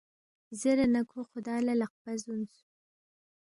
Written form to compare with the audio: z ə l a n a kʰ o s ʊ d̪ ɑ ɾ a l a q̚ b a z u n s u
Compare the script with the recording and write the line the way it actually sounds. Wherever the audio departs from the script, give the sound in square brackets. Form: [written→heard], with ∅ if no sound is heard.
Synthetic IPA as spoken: z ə [l→ɾ] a n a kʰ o [s→x] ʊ d̪ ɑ [ɾ→l] a l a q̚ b a z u n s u

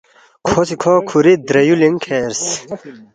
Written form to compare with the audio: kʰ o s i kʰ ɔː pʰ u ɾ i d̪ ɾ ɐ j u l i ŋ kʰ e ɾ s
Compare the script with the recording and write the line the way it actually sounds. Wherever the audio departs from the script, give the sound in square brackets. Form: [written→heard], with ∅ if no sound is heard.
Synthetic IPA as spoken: kʰ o s i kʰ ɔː [pʰ→kʰ] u ɾ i d̪ ɾ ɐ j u l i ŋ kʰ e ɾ s

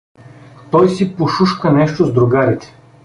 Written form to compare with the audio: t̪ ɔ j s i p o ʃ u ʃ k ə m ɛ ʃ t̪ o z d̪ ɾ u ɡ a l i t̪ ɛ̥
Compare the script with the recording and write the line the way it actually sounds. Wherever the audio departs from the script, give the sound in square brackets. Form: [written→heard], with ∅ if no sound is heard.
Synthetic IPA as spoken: t̪ ɔ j s i p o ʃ u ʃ k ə [m→n] ɛ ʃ t̪ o z d̪ ɾ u ɡ a [l→ɾ] i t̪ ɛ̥

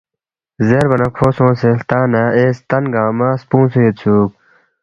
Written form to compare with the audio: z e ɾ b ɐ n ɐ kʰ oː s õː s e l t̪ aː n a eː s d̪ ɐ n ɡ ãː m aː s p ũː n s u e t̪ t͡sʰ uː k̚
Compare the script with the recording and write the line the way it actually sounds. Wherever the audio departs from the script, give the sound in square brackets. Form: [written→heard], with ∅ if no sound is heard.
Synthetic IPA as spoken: z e ɾ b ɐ n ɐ kʰ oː s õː s e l t̪ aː n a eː s [d̪→t̪] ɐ n ɡ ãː m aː s p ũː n s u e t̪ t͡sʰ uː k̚

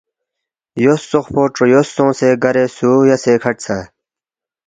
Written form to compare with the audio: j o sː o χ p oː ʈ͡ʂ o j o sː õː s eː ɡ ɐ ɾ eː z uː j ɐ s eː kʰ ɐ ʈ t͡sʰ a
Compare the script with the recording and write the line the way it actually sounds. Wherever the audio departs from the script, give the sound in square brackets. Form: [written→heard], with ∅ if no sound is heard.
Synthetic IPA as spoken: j o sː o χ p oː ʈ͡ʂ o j o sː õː s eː ɡ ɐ ɾ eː [z→s] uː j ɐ s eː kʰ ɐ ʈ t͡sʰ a

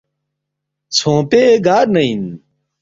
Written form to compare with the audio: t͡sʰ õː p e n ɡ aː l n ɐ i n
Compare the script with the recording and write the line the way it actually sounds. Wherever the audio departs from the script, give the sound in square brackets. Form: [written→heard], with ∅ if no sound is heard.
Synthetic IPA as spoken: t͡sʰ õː p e [n→∅] ɡ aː [l→ɾ] n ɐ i n

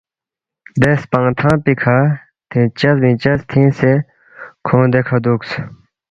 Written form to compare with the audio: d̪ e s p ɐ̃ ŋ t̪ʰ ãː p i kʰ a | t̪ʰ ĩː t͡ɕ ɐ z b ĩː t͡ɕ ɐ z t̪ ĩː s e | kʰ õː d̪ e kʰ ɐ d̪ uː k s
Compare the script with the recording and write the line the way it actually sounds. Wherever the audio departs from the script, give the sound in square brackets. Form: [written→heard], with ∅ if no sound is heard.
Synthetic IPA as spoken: d̪ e s p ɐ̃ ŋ t̪ʰ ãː p i kʰ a | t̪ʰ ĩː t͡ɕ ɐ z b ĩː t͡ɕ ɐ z [t̪→t̪ʰ] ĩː s e | kʰ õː d̪ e kʰ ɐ d̪ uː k s

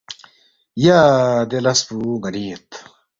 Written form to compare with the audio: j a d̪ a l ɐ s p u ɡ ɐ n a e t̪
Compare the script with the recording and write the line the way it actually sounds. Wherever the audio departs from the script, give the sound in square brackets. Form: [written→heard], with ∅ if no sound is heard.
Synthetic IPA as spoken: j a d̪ [a→e] l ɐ s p u ɡ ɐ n [a→i] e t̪

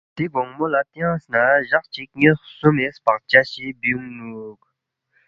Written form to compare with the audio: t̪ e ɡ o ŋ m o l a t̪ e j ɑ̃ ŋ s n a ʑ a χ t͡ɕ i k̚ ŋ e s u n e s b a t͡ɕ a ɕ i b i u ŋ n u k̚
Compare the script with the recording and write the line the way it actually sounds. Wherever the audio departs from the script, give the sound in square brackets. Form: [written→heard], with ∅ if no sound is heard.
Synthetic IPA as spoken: t̪ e ɡ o ŋ m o l a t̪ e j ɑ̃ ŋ s n a ʑ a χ t͡ɕ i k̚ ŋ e s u [n→m] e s [b→p] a t͡ɕ a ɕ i b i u ŋ n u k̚

